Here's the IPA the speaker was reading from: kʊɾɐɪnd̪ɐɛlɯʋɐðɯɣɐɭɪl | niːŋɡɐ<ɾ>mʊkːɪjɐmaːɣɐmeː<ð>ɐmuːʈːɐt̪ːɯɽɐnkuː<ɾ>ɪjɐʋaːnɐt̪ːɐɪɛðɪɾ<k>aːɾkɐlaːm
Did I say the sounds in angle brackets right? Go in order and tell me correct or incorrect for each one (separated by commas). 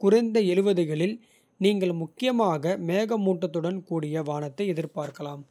incorrect, incorrect, incorrect, incorrect